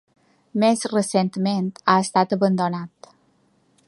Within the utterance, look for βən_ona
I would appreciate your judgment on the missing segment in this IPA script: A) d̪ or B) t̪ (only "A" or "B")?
A